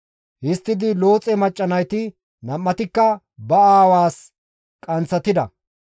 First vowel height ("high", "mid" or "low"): high